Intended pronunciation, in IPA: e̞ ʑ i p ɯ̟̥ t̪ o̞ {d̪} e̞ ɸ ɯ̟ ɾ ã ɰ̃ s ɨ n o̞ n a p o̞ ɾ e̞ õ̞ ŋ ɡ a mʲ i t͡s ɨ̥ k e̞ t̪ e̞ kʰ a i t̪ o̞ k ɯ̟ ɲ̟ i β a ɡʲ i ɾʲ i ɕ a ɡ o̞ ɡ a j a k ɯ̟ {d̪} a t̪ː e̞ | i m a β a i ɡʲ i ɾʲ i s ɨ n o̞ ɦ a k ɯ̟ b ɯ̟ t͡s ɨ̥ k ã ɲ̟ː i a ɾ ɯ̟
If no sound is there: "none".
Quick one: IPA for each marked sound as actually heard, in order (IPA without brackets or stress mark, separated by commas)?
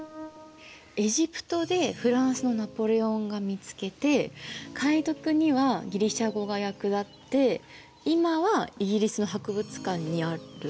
d̪, d̪